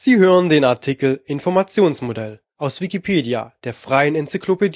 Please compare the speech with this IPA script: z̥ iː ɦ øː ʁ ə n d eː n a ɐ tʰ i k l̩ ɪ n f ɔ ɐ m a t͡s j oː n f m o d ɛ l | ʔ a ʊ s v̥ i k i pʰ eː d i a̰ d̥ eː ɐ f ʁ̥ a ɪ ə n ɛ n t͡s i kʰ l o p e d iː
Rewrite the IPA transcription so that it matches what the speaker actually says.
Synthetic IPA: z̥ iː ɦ øː ʁ ə n d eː n a ɐ tʰ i k l̩ ɪ n f ɔ ɐ m a t͡s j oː n s m o d ɛ l | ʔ a ʊ s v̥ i k i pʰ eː d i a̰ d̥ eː ɐ f ʁ̥ a ɪ ə n ɛ n t͡s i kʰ l o p e d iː